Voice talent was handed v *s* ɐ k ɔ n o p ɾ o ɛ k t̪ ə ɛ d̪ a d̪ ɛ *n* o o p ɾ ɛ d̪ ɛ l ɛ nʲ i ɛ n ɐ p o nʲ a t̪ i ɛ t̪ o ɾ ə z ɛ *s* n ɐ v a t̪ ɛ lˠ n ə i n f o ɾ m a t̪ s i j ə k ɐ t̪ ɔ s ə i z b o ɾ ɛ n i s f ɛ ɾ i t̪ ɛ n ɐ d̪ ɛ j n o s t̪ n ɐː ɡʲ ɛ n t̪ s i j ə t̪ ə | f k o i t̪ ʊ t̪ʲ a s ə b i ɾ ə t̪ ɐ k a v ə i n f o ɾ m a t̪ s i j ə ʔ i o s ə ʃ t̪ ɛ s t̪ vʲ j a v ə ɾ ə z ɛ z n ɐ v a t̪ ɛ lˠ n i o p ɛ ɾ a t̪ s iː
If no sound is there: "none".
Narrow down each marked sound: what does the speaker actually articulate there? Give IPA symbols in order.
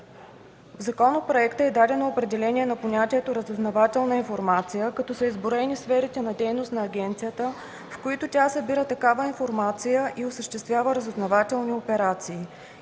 z, n, z

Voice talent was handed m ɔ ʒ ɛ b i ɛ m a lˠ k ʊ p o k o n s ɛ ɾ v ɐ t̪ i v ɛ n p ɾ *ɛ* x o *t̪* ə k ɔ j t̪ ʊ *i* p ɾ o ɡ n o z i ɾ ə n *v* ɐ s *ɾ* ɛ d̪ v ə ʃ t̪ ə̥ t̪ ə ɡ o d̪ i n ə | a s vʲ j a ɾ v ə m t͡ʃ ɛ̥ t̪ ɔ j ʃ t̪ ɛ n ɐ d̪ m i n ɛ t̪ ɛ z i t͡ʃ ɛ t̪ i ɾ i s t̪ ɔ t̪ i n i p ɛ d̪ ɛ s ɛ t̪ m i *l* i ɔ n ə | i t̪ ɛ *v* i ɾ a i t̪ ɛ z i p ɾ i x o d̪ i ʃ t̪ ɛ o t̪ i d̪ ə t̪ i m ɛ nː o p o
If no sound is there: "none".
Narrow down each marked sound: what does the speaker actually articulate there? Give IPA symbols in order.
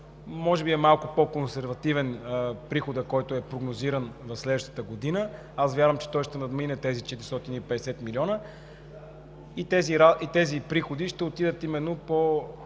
i, d̪, ɛ, v, l, l, z

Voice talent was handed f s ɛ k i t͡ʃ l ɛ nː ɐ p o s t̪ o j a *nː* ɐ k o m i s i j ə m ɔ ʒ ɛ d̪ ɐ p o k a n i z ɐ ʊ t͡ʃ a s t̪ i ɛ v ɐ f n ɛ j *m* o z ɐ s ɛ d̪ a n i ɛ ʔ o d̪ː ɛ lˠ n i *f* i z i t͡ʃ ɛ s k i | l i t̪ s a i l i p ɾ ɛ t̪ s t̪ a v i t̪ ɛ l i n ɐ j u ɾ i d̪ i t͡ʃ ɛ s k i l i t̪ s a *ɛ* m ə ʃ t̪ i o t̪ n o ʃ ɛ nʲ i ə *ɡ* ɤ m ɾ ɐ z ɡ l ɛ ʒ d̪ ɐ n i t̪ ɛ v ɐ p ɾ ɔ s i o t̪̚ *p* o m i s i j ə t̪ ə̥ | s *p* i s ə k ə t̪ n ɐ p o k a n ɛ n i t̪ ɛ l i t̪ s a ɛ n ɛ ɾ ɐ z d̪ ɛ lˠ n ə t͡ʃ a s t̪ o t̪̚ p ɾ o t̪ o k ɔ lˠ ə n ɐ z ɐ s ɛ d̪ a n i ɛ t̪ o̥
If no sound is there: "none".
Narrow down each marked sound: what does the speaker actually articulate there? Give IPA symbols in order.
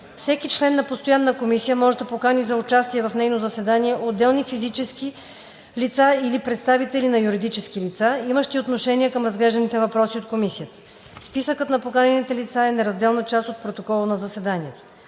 nː, n, f, i, k, k, p

